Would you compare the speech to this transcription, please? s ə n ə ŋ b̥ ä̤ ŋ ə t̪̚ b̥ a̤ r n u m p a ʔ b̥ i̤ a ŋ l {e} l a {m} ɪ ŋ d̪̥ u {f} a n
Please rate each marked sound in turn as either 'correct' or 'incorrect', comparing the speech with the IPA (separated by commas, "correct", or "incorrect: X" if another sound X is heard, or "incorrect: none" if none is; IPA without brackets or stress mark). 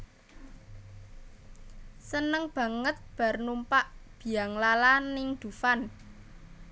incorrect: a, incorrect: n, correct